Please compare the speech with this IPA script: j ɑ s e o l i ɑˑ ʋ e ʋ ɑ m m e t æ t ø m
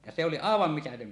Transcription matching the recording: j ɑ s e o l i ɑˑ e ʋ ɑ m m i t æ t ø m